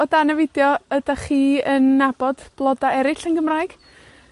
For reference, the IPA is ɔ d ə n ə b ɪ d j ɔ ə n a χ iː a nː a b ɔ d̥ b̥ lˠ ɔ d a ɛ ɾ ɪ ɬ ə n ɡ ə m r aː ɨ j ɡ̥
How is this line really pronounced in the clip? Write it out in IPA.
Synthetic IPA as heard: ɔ d a n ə v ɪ d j ɔ ə d a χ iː ə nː a b ɔ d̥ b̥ lˠ ɔ d a ɛ ɾ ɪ ɬ ə n ɡ ə m r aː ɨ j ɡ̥